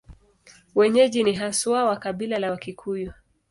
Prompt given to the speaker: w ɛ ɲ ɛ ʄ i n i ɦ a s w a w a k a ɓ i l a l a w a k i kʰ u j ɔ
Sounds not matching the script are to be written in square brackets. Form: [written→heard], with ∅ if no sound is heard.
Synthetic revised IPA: w ɛ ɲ ɛ ʄ i n i ɦ a s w a w a k a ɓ i l a l a w a k i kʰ u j ɔ